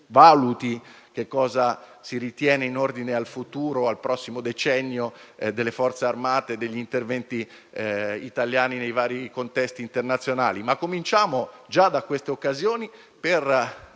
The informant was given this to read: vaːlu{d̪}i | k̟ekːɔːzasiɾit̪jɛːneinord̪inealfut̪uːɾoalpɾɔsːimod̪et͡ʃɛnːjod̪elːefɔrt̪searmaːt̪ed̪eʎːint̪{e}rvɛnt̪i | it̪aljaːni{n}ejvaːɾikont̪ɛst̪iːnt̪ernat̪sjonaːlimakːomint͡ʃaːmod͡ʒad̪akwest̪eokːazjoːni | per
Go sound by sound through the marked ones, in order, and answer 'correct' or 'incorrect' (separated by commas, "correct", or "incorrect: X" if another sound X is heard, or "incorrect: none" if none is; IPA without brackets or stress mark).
incorrect: t̪, correct, correct